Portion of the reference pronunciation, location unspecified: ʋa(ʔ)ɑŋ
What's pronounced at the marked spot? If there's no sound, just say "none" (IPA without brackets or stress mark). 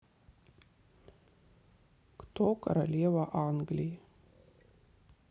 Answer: ʔ